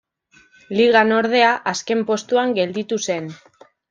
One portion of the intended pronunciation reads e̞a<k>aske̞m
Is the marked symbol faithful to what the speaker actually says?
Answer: no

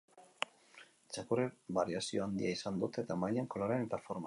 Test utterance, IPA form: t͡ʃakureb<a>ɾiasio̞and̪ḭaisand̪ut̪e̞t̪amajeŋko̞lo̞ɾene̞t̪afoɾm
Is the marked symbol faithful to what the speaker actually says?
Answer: yes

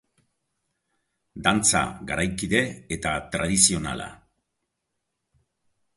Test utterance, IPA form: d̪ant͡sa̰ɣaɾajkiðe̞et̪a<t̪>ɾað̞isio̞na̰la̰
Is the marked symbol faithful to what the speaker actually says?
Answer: yes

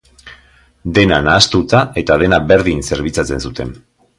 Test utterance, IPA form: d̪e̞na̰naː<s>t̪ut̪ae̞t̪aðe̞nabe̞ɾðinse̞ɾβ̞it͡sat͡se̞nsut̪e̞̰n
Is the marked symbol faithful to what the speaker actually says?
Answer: yes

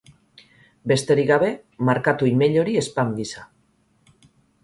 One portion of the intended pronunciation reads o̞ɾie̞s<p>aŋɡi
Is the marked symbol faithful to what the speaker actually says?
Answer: yes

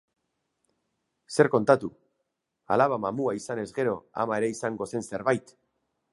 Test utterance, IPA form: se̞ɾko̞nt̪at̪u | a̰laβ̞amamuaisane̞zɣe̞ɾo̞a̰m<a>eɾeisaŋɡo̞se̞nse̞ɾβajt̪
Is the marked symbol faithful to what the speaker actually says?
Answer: yes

